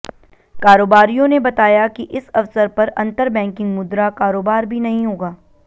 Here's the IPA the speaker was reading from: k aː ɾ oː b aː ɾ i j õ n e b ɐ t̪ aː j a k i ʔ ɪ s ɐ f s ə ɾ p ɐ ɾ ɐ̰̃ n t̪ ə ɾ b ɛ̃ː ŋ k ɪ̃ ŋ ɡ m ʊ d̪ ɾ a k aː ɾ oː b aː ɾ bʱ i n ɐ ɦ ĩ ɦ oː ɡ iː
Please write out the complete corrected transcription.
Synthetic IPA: k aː ɾ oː b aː ɾ i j õ n e b ɐ t̪ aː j a k i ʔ ɪ s ɐ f s ə ɾ p ɐ ɾ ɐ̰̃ n t̪ ə ɾ b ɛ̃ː ŋ k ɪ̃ ŋ ɡ m ʊ d̪ ɾ a k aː ɾ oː b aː ɾ bʱ i n ɐ ɦ ĩ ɦ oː ɡ aː